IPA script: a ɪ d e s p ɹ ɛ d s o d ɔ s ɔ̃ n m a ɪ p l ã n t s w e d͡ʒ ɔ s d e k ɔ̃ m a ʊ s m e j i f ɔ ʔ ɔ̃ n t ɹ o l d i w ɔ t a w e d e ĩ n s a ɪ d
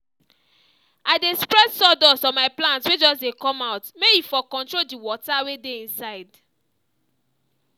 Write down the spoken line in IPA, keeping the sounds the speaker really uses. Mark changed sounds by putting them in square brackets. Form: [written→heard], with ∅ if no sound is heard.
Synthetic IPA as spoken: a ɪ d e s p ɹ ɛ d s [o→ɔ] d ɔ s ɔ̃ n m a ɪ p l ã n t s w e d͡ʒ ɔ s d e k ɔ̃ m a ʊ [s→t] m e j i f ɔ [ʔ→k] ɔ̃ n t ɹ o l d i w ɔ t a w e d e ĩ n s a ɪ d